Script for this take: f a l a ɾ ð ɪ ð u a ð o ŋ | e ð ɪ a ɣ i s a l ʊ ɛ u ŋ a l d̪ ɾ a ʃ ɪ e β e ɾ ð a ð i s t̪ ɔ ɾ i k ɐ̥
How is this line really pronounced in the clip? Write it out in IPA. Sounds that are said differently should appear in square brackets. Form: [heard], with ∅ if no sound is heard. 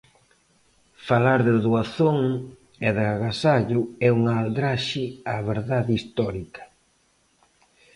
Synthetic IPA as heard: f a l a ɾ ð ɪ ð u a [θ] o ŋ | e ð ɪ a ɣ [a] s a [ʎ] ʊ ɛ u ŋ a l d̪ ɾ a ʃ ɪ [a] β e ɾ ð a ð i s t̪ ɔ ɾ i k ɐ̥